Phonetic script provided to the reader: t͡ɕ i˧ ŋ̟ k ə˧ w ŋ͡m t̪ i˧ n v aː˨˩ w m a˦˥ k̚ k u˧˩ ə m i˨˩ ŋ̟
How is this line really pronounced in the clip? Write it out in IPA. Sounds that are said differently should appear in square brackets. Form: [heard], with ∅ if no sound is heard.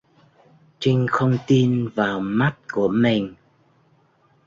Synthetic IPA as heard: t͡ɕ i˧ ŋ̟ [x] ə˧ w ŋ͡m t̪ i˧ n v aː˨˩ w m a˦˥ [t̚] k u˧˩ ə m i˨˩ ŋ̟